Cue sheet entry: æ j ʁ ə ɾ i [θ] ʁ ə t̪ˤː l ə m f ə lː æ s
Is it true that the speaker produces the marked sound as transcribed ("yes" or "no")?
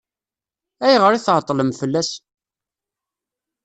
yes